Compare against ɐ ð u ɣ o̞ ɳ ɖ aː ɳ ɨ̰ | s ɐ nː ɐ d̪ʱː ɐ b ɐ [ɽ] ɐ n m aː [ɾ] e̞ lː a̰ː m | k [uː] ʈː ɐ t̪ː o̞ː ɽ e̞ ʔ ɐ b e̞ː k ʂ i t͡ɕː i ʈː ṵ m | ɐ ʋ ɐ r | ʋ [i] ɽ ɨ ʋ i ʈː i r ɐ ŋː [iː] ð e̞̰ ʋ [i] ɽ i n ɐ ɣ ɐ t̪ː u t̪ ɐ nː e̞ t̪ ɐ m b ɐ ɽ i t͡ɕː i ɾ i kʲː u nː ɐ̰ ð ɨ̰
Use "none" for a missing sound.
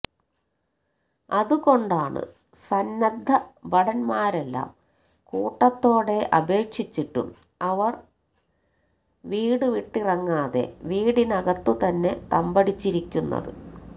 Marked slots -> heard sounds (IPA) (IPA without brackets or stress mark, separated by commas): ɽ, ɾ, uː, iː, aː, iː